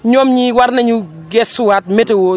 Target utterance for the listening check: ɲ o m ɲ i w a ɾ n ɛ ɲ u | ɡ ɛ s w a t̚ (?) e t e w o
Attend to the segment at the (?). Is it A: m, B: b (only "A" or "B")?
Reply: A